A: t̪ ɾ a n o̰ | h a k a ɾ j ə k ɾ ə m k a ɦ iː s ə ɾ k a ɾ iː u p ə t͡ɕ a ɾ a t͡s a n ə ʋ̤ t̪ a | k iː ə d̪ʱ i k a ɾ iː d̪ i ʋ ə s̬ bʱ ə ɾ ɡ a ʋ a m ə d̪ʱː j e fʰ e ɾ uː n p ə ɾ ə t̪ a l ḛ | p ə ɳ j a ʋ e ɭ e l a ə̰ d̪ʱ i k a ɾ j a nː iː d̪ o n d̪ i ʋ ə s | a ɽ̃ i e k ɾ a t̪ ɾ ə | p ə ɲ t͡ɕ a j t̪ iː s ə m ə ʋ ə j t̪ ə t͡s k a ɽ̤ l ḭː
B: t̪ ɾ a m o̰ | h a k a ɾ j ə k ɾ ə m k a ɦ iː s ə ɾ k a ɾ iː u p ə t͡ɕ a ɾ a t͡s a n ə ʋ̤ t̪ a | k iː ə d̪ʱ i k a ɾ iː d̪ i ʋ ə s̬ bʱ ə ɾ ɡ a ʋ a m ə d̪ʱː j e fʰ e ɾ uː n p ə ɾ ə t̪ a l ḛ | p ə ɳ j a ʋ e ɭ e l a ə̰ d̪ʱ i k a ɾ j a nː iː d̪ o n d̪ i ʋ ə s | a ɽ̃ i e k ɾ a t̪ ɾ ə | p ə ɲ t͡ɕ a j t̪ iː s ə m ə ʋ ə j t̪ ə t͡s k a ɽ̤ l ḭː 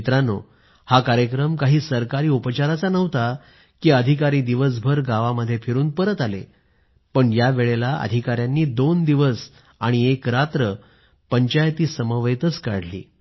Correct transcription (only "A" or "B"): A